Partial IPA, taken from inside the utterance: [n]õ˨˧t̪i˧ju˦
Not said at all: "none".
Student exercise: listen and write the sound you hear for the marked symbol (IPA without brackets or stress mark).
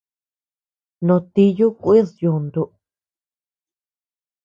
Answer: n